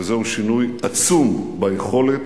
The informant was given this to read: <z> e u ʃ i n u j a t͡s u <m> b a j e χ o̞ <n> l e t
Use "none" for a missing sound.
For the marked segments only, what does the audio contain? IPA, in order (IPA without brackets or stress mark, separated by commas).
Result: z, m, none